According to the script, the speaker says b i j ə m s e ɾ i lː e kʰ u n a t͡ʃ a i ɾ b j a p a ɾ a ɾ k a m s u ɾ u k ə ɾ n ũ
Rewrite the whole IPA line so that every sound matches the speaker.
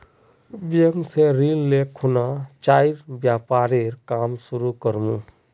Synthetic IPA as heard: b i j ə ŋ s e ɾ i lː e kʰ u n a t͡ʃ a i ɾ b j a p a ɾ e ɾ k a m s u ɾ u k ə ɾ m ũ